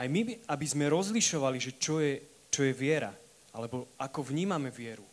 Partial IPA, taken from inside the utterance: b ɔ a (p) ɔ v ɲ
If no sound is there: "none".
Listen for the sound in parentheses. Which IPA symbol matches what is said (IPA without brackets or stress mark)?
k